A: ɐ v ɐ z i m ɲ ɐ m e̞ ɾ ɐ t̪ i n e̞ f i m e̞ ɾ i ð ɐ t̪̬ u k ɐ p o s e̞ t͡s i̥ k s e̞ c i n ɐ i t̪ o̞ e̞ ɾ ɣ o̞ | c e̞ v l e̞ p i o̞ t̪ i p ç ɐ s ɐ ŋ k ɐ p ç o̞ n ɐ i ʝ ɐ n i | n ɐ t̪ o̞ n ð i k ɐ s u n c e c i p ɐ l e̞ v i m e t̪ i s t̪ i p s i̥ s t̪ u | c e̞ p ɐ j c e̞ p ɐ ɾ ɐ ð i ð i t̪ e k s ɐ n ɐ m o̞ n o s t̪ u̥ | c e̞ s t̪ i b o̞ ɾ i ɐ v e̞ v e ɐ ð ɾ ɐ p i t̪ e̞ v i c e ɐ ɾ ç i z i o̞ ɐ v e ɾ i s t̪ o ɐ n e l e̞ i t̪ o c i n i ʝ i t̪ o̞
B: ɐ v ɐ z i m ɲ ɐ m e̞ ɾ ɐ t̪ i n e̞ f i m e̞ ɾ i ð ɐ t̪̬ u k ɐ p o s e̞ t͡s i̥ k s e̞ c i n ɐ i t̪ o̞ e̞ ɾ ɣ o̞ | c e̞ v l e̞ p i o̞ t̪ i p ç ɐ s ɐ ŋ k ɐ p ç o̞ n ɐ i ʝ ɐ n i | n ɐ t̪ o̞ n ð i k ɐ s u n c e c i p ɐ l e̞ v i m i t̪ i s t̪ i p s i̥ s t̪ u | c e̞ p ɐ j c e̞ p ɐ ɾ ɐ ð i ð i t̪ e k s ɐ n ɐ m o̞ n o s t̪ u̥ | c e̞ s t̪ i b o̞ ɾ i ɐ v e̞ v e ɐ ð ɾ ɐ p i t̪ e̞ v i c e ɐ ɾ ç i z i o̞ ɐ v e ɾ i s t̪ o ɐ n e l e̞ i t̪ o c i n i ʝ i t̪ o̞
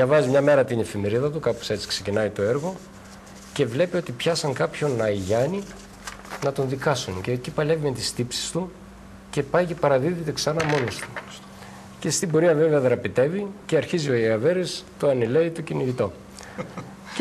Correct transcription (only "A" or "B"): A